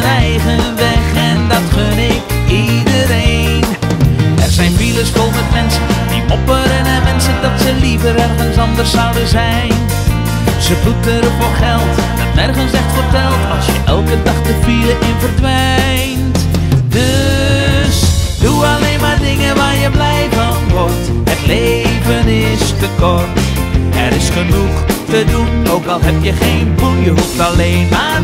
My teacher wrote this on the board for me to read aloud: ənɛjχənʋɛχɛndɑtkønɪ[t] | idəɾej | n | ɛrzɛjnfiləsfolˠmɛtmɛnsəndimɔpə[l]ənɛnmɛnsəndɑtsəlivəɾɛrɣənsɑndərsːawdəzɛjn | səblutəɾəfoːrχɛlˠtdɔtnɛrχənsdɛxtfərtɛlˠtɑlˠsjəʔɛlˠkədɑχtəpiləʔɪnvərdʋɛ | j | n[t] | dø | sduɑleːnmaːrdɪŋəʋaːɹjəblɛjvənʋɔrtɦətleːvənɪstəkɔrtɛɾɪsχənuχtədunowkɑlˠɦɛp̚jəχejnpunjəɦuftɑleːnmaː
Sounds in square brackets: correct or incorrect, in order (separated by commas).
incorrect, incorrect, correct